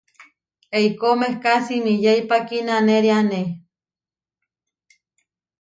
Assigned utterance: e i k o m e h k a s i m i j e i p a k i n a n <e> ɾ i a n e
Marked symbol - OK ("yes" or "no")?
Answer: yes